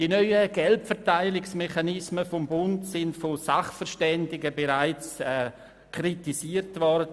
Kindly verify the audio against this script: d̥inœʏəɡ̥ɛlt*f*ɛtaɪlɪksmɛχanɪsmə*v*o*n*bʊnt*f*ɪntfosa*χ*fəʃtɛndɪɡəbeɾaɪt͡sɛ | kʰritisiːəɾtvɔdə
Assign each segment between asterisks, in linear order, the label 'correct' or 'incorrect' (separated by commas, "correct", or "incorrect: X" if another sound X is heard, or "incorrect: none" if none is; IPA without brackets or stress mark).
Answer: correct, incorrect: f, incorrect: m, incorrect: s, correct